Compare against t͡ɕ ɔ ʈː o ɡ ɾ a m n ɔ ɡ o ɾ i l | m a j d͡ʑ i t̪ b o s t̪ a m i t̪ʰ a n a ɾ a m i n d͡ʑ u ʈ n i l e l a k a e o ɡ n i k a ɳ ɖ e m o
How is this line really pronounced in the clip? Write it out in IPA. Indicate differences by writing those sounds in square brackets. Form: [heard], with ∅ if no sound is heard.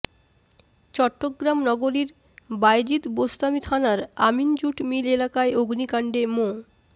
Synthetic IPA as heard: t͡ɕ ɔ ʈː o ɡ ɾ a m n ɔ ɡ o ɾ i [ɾ] | [b] a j d͡ʑ i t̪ b o s t̪ a m i t̪ʰ a n a ɾ a m i n d͡ʑ u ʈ [m] i l e l a k a e o ɡ n i k a ɳ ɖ e m o